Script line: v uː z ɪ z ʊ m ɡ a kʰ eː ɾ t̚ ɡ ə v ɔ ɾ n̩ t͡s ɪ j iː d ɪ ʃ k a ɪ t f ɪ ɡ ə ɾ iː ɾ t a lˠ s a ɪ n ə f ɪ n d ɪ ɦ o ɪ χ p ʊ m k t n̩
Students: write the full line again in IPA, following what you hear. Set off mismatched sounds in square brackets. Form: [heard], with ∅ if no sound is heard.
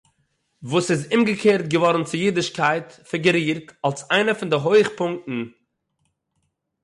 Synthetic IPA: v uː [s] ɪ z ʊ m ɡ [ə] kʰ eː ɾ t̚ ɡ ə v ɔ ɾ n̩ t͡s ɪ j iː d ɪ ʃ k a ɪ t f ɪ ɡ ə ɾ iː ɾ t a lˠ s a ɪ n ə f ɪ n d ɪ ɦ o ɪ χ p ʊ [ŋ] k t n̩